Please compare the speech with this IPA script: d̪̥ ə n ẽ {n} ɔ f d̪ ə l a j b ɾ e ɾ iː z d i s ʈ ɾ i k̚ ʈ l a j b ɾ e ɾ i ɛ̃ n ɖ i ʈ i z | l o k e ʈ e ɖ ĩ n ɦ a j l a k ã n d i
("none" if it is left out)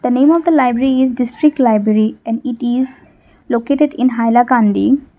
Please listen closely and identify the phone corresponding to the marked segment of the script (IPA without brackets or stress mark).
m